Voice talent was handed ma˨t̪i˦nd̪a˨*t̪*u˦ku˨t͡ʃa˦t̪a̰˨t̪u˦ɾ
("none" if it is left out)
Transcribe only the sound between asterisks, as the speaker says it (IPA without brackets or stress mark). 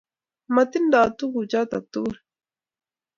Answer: t̪